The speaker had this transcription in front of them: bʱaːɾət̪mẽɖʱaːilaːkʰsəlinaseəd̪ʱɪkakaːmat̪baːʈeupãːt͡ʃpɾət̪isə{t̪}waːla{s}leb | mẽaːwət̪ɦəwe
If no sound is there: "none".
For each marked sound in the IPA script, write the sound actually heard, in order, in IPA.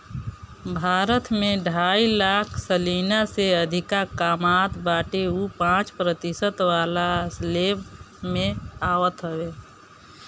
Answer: t̪, s

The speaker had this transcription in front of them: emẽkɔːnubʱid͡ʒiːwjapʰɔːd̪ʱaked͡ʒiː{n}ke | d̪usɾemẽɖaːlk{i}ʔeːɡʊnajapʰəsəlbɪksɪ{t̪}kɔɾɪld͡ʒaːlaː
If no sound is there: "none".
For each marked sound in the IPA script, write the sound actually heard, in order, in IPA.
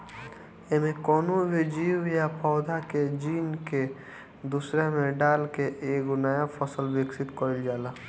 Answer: n, e, t̪

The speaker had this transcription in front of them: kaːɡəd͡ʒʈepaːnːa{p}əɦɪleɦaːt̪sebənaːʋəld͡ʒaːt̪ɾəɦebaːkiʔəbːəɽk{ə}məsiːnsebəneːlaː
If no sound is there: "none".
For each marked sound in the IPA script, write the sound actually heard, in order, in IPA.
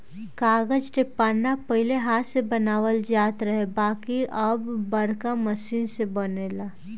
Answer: p, a

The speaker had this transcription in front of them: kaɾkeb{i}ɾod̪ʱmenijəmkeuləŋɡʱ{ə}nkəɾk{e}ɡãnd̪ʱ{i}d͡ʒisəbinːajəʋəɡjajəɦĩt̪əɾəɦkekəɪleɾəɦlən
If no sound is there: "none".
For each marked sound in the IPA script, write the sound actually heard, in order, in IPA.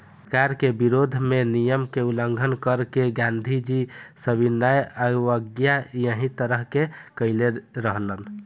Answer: i, ə, e, i

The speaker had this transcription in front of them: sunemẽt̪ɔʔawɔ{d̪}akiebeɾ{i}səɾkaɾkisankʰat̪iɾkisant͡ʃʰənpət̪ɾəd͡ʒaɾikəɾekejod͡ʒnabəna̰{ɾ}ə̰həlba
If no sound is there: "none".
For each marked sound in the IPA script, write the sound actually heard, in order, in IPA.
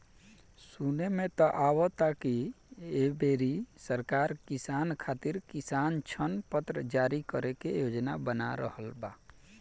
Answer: t̪, i, ɾ

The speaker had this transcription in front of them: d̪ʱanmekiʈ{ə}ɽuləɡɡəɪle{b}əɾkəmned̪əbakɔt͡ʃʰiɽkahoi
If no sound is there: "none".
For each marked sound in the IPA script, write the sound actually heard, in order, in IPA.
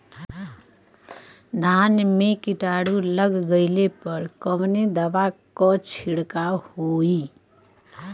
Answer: a, p

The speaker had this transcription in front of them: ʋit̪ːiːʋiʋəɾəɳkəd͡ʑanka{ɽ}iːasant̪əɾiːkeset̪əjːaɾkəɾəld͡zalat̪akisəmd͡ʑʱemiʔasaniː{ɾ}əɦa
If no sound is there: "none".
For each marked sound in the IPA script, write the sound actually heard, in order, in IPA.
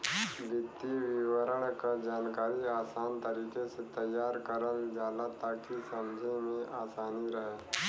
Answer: ɾ, ɾ

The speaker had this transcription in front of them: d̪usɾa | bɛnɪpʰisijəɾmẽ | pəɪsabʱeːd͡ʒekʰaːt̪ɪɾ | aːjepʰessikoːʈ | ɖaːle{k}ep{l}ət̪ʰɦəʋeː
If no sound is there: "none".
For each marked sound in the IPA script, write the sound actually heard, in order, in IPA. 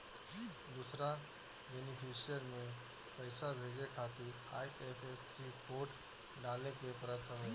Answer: k, ɾ

